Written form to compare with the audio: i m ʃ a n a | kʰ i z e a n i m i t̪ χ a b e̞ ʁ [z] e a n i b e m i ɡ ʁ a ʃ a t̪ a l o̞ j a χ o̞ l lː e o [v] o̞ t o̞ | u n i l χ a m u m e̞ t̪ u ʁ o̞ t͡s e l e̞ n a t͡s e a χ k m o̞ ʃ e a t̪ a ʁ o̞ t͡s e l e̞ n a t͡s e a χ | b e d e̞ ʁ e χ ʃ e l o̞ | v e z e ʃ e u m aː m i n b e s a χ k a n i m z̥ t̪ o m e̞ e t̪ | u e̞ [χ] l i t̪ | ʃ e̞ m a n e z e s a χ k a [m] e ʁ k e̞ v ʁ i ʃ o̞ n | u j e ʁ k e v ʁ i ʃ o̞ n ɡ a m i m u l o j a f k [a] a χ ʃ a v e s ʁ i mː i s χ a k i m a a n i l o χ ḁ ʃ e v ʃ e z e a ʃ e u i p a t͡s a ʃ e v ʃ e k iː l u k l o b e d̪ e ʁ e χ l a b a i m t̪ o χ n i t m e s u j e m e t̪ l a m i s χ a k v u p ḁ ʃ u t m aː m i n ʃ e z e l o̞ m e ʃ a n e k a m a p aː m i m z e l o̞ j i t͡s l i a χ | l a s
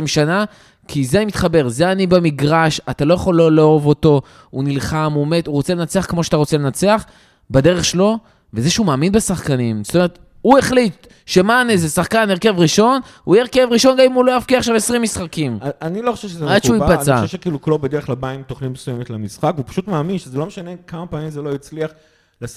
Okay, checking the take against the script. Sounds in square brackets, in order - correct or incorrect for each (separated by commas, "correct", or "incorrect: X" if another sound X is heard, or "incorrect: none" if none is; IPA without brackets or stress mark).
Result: correct, correct, correct, incorrect: n, incorrect: i